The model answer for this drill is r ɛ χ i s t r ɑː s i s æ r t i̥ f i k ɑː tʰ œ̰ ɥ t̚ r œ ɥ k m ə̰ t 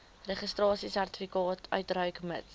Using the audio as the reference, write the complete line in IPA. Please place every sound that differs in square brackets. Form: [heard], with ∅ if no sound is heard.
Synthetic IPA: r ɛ χ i s t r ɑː s i s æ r t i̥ f i k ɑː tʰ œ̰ ɥ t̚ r œ ɥ k m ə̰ t